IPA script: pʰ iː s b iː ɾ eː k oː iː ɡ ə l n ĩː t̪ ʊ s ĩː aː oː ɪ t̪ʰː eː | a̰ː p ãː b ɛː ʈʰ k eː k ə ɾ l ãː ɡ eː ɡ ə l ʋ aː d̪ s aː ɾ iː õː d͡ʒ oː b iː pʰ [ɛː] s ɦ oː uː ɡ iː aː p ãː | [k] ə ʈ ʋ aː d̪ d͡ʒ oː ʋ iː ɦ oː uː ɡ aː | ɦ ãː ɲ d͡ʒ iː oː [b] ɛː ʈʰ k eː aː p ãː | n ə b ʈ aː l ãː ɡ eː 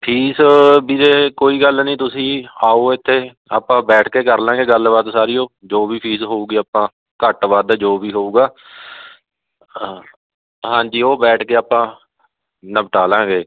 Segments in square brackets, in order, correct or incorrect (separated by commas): incorrect, correct, correct